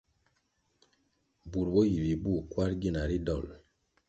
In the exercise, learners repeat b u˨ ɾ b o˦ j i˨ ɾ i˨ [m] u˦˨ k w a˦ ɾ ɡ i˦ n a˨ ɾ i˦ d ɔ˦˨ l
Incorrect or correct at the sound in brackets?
incorrect: b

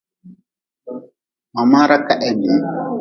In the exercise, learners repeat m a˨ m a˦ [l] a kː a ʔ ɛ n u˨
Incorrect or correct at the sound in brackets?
incorrect: ɾ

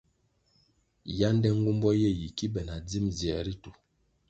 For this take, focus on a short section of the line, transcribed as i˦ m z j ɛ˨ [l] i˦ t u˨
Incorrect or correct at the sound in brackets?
incorrect: ɾ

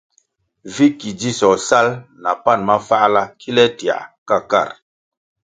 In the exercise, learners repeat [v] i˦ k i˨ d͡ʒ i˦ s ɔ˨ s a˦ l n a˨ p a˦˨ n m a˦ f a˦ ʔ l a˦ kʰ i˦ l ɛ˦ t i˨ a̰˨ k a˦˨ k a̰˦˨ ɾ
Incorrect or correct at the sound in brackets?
correct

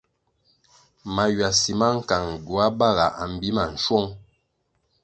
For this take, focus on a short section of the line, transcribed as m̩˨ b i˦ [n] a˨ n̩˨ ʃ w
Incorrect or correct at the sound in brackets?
incorrect: m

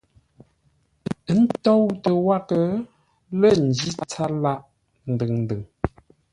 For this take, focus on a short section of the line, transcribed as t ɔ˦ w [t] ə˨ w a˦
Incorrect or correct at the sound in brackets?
correct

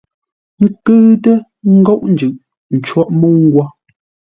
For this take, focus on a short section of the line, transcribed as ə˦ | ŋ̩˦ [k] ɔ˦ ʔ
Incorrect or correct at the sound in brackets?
incorrect: ɡ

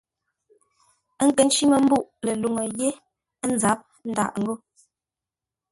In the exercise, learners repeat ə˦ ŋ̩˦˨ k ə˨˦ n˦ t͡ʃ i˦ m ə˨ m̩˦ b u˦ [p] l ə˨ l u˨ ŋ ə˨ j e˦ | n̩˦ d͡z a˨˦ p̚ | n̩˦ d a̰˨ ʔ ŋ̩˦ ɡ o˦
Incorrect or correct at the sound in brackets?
incorrect: ʔ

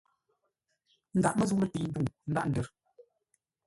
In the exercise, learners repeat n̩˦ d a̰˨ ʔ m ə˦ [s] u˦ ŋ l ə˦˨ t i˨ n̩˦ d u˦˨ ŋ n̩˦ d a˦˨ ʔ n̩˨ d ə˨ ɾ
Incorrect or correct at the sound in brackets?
incorrect: z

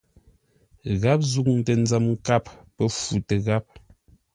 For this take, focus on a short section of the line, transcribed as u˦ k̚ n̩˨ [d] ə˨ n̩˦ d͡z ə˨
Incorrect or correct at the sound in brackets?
incorrect: t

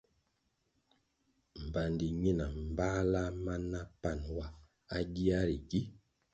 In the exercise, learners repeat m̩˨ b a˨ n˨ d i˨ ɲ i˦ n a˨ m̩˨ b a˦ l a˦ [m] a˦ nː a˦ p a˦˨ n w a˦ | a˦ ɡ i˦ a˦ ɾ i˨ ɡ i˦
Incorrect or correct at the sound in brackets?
correct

